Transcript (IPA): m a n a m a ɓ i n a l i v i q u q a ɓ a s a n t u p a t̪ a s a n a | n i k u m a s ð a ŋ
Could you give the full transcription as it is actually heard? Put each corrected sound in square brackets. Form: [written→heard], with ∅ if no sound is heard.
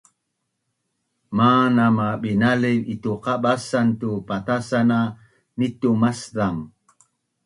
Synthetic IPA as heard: m a n a m a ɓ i n a l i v i [q→t] u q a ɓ a s a n t u p a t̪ a s a n a | n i [k→t] u m a s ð a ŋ